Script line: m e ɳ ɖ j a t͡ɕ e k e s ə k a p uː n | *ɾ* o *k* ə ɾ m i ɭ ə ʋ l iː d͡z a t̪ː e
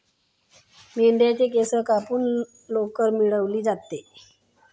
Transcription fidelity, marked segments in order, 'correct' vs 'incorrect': incorrect: l, correct

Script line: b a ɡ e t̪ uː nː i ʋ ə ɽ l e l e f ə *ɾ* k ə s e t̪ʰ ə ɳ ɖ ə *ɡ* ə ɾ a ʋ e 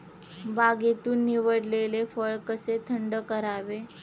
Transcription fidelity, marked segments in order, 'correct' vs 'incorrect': incorrect: ɭ, incorrect: k

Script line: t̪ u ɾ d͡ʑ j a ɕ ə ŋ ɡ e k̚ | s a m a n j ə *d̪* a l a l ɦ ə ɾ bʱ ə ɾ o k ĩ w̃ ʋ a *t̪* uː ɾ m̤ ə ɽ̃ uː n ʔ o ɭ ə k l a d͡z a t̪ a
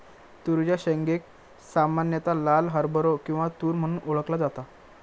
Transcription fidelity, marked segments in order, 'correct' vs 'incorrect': incorrect: t̪, correct

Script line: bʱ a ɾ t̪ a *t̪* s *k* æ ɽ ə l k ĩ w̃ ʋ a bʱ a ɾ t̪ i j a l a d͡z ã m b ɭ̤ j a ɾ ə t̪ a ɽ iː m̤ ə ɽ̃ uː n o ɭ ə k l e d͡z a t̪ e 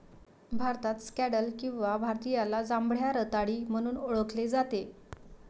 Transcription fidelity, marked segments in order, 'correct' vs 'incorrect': correct, correct

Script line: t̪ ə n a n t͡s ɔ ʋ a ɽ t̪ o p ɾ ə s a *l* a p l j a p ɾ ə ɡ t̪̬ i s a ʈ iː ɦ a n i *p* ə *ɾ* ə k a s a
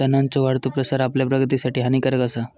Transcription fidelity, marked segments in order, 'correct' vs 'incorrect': incorrect: ɾ, incorrect: k, correct

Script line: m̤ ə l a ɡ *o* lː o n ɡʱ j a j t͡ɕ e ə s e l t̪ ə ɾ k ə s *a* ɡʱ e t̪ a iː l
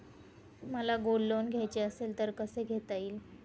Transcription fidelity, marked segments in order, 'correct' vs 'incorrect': correct, incorrect: e

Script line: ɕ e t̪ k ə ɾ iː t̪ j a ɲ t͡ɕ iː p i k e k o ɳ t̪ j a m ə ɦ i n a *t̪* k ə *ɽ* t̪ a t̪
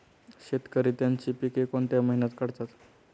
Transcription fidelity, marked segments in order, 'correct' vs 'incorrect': correct, correct

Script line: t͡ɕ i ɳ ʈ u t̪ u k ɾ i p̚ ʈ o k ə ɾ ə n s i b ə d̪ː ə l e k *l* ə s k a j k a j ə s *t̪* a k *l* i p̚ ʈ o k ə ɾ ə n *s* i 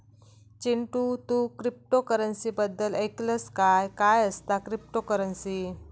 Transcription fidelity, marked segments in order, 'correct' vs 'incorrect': correct, correct, incorrect: ɾ, correct

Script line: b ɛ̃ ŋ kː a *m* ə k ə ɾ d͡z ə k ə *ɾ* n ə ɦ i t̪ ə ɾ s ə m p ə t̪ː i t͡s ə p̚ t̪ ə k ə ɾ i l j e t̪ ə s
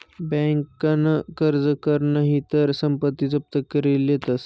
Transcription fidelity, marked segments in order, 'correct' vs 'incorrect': incorrect: n, correct

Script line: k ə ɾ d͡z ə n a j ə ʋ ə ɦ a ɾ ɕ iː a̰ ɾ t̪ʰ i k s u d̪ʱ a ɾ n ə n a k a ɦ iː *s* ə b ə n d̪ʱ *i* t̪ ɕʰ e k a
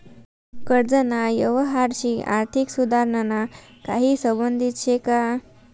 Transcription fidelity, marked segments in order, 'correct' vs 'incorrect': correct, correct

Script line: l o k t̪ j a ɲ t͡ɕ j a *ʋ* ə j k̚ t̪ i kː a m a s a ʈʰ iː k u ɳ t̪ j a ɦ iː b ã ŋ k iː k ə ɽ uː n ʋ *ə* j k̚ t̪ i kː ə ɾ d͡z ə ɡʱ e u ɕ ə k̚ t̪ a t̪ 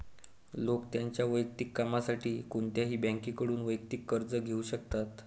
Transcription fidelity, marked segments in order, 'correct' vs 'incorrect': correct, correct

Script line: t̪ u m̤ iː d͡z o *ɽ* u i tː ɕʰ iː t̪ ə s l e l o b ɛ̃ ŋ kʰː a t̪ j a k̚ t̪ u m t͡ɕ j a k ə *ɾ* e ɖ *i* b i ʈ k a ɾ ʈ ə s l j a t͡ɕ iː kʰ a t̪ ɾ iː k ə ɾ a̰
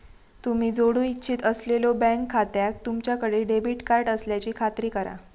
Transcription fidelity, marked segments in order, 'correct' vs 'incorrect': correct, incorrect: ɽ, incorrect: e

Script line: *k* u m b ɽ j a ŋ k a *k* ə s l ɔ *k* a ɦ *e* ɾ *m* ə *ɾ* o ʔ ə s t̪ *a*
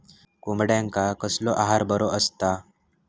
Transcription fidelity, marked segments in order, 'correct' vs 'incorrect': correct, correct, incorrect: ʔ, incorrect: a, incorrect: b, correct, correct

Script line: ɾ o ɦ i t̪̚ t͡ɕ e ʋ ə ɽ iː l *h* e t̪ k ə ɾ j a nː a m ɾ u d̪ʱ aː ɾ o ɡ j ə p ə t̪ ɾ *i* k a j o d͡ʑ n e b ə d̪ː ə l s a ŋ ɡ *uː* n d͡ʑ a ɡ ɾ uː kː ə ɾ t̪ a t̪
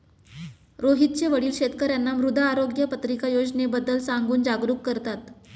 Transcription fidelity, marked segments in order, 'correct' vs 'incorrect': incorrect: ɕ, correct, correct

